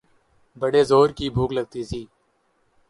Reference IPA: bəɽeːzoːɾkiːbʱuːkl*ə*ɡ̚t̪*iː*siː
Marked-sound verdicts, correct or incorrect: correct, correct

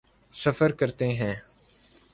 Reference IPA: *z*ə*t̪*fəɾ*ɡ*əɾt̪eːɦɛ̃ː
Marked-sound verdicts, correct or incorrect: incorrect, incorrect, incorrect

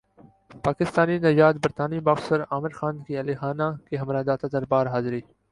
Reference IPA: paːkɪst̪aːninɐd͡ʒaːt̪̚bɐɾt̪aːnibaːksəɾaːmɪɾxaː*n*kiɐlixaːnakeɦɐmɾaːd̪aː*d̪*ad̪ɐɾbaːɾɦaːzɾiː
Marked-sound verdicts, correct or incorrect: correct, incorrect

